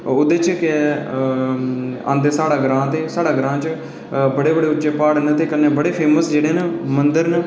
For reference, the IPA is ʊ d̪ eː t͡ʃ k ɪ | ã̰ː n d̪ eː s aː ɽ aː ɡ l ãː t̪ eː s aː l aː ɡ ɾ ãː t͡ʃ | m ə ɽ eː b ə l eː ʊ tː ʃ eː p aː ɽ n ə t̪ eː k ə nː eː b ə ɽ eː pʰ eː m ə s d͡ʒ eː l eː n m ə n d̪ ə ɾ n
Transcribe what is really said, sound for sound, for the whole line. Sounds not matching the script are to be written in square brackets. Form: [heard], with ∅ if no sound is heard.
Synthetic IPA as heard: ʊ d̪ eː t͡ʃ k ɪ | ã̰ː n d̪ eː s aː ɽ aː ɡ [ɾ] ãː t̪ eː s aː [ɽ] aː ɡ ɾ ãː t͡ʃ | [b] ə ɽ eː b ə [ɽ] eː ʊ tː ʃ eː p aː ɽ n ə t̪ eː k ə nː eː b ə ɽ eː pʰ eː m ə s d͡ʒ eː [ɽ] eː n m ə n d̪ ə ɾ n